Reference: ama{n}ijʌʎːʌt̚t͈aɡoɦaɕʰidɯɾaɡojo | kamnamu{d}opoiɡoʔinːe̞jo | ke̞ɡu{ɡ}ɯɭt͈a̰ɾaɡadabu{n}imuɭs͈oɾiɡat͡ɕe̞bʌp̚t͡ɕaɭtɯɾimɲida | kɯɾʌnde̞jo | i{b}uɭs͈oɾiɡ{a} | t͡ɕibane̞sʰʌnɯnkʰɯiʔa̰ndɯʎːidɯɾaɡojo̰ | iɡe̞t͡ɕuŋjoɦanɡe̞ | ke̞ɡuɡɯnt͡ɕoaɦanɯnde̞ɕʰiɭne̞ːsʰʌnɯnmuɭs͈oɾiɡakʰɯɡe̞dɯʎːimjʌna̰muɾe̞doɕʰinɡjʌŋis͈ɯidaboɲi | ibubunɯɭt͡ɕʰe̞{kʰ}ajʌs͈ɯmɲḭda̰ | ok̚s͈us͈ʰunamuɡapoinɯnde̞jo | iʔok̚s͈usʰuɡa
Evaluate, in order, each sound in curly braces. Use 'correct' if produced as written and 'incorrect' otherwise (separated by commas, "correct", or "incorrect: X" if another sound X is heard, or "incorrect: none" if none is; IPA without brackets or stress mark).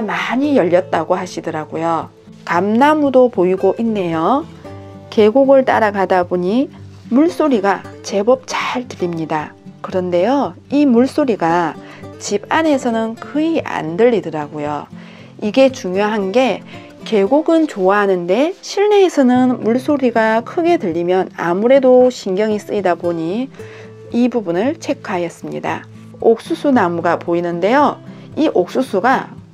incorrect: ɲ, correct, correct, incorrect: ɲ, incorrect: m, correct, correct